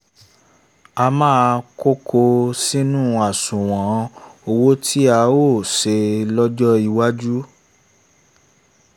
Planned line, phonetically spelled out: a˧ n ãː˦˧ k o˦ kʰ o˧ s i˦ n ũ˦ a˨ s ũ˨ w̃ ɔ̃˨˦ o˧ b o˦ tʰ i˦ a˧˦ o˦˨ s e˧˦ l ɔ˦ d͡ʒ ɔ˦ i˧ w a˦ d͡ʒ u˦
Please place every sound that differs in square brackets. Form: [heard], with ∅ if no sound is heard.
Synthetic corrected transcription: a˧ [m] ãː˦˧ k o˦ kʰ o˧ s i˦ n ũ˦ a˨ s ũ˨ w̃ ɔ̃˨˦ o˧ [w] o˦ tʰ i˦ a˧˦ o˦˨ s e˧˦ l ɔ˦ d͡ʒ ɔ˦ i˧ w a˦ d͡ʒ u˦